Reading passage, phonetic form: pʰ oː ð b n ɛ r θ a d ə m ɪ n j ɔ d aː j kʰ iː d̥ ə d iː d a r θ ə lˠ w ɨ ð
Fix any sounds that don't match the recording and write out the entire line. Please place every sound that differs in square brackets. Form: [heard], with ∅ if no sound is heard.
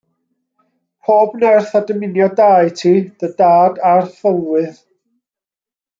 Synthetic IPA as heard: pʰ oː [∅] b n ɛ r θ a d ə m ɪ n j ɔ d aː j [tʰ] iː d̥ ə d [aː] d a r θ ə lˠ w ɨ ð